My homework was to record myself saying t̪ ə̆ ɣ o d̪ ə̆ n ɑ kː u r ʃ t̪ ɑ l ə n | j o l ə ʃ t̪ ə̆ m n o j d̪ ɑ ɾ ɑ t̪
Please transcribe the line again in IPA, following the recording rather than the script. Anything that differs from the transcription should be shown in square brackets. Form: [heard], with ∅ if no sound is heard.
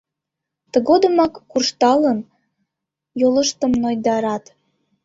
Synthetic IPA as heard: t̪ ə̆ ɣ o d̪ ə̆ [m] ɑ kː u r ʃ t̪ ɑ l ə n | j o l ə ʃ t̪ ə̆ m n o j d̪ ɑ ɾ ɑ t̪